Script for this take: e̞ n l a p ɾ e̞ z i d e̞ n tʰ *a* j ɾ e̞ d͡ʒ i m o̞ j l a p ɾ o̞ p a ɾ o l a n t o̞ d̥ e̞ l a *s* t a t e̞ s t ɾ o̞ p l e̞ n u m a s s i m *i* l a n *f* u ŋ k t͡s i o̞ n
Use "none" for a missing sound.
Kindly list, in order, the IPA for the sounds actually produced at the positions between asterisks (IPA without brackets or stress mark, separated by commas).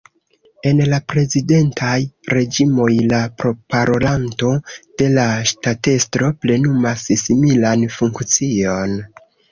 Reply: a, ʃ, i, f